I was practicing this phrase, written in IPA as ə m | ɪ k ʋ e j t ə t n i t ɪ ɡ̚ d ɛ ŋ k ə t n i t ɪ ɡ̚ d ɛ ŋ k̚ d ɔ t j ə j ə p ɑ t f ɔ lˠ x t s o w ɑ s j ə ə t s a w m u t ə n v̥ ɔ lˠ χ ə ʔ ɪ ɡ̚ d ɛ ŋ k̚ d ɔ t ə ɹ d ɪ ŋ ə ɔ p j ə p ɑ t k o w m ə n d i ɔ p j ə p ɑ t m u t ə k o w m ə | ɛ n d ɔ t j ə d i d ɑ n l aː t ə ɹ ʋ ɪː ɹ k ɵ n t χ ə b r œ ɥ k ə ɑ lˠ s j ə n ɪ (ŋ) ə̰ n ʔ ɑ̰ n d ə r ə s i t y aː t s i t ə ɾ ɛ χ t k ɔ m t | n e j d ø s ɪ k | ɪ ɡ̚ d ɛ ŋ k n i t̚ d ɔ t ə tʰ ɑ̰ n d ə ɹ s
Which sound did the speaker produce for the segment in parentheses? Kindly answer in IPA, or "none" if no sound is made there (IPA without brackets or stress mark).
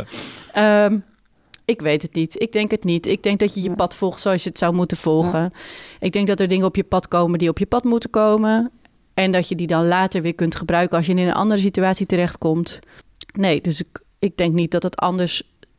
n